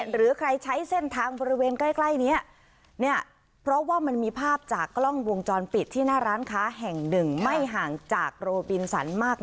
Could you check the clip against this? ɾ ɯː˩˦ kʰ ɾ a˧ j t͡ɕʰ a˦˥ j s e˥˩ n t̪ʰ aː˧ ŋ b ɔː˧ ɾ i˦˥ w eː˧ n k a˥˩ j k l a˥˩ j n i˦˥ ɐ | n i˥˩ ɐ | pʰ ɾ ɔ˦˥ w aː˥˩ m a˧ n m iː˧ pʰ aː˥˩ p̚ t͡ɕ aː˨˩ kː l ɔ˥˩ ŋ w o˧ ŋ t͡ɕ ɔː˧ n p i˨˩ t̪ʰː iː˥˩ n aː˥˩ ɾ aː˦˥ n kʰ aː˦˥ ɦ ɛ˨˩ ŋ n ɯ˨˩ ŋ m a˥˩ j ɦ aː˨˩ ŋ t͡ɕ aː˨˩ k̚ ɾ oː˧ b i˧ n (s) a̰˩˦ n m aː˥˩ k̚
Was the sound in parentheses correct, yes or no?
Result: yes